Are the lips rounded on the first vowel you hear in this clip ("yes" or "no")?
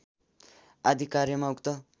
no